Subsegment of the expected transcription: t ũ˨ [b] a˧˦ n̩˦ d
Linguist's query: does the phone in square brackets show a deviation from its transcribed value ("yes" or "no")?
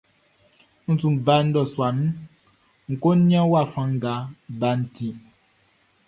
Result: no